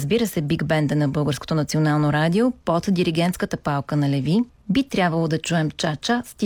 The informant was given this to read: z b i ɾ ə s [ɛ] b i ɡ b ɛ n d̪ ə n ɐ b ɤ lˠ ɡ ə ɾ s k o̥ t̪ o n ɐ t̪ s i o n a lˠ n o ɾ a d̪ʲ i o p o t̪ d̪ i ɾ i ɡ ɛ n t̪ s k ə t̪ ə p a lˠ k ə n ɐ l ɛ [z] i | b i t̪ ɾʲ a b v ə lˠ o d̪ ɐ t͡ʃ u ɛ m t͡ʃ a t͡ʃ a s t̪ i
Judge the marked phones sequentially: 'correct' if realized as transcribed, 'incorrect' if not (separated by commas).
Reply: correct, incorrect